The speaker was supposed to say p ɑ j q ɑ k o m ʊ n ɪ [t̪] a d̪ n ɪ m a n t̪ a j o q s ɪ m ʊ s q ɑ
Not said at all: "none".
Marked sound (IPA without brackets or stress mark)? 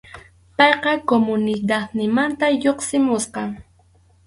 d̪